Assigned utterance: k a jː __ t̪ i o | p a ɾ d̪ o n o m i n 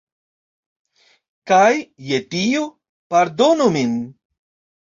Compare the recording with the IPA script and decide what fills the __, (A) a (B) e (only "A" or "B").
B